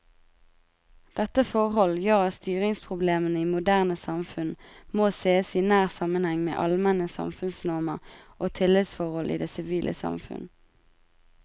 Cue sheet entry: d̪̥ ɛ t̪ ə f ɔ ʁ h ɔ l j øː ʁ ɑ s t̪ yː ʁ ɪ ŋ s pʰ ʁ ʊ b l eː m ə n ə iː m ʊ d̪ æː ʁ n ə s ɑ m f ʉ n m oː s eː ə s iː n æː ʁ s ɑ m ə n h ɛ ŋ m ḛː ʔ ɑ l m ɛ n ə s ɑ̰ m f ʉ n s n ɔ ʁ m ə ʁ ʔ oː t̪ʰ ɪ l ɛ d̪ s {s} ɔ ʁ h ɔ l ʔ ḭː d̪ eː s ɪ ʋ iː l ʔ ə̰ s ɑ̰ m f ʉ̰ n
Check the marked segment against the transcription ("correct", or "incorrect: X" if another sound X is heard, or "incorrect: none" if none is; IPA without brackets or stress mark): incorrect: f